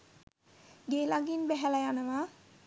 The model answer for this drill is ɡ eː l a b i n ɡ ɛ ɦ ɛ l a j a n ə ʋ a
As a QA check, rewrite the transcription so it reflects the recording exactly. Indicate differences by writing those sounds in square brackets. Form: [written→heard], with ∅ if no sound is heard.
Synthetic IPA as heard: ɡ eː l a [b→ɡ] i n [ɡ→b] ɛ ɦ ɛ l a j a n ə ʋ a